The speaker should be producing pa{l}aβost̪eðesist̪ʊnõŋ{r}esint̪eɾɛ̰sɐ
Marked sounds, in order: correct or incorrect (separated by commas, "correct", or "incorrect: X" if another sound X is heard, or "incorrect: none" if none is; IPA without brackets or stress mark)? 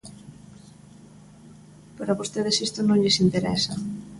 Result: incorrect: ɾ, incorrect: ʎ